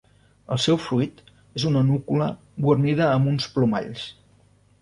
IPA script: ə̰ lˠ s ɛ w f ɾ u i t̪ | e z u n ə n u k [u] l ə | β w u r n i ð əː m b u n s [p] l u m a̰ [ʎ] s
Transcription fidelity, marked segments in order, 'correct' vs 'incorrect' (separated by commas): correct, correct, correct